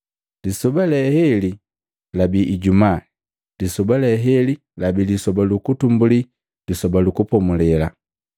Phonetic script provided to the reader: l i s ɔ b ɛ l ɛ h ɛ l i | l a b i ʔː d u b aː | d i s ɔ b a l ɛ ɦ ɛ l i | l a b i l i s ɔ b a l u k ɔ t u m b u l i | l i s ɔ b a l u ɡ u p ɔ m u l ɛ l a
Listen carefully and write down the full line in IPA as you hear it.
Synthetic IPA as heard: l i s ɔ b a l ɛ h ɛ l i | l a b i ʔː ɟ u m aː | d i s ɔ b a l ɛ ɦ ɛ l i | l a b i l i s ɔ b a l u k u t u m b u l i | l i s ɔ b a l u k u p ɔ m u l ɛ l a